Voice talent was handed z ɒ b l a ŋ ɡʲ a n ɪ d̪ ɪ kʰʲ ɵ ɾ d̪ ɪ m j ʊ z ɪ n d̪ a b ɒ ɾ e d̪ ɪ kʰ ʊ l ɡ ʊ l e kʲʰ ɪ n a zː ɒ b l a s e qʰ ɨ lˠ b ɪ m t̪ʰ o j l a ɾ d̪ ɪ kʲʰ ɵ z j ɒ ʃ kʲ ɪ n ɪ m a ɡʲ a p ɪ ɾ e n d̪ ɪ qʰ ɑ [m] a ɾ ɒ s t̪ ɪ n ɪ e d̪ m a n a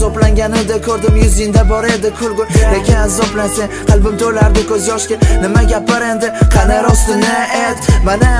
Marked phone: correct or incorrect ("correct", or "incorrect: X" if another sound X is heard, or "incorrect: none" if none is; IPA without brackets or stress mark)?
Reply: incorrect: n